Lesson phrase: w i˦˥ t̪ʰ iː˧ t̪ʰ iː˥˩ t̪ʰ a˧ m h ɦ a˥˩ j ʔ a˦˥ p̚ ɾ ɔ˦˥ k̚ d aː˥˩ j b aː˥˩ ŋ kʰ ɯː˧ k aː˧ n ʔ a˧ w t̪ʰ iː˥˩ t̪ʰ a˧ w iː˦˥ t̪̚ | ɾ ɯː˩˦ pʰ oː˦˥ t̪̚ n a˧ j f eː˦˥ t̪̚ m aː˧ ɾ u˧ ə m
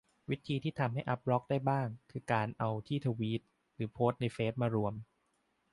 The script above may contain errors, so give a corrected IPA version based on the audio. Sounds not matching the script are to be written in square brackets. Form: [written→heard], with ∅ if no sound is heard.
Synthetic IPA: w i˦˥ t̪ʰ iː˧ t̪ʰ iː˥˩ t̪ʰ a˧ m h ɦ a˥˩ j ʔ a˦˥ p̚ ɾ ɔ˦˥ k̚ d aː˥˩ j b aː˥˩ ŋ kʰ ɯː˧ k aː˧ n ʔ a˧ w t̪ʰ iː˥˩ t̪ʰ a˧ w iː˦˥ t̪̚ | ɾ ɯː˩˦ pʰ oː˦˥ t̪̚ n a˧ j f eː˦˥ t̪̚ m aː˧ ɾ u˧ ə m